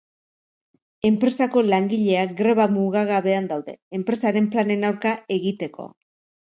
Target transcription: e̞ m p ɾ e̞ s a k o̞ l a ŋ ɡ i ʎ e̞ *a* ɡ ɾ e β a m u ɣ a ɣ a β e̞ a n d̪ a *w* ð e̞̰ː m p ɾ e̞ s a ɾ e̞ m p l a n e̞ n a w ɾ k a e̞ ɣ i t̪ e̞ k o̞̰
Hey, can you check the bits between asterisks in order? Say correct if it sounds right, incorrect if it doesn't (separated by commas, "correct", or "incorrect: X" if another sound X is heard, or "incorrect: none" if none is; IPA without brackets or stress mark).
correct, correct